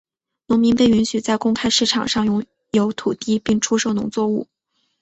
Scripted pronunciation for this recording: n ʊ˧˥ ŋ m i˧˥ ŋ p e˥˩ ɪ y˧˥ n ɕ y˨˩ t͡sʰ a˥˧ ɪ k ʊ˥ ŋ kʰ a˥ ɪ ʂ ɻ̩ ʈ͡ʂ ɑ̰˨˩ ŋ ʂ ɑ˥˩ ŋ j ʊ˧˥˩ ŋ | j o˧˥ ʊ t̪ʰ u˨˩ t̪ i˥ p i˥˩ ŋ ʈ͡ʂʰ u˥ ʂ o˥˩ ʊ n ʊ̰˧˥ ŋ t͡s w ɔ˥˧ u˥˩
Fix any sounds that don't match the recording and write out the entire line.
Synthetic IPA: n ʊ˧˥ ŋ m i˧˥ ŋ p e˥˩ ɪ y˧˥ n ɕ y˨˩ t͡s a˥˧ ɪ k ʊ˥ ŋ kʰ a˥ ɪ ʂ ɻ̩ ʈ͡ʂʰ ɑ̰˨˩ ŋ ʂ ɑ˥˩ ŋ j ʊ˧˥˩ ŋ | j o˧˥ ʊ t̪ʰ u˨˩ t̪ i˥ p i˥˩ ŋ ʈ͡ʂʰ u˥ ʂ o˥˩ ʊ n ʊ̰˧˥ ŋ t͡s w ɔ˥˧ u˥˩